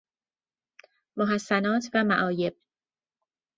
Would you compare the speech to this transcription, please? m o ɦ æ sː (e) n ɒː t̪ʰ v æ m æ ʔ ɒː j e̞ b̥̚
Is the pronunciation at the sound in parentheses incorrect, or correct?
incorrect